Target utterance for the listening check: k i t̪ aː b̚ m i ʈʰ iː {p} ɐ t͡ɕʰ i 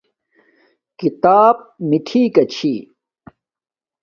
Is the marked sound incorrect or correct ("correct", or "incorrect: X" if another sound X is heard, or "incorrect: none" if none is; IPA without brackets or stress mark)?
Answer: incorrect: k